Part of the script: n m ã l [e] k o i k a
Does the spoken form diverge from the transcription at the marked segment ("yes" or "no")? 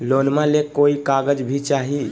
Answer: no